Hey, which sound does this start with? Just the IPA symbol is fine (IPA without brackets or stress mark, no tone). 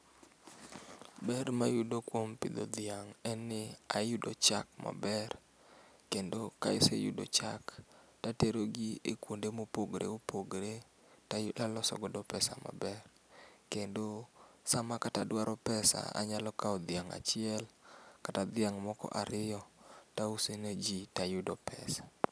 b